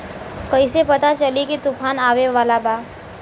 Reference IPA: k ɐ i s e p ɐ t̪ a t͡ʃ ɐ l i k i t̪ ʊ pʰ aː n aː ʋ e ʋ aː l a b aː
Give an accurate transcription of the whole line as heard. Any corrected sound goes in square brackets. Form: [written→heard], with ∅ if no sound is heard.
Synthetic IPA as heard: k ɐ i s e p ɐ t̪ a t͡ʃ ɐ l i k i t̪ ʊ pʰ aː n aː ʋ e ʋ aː l a b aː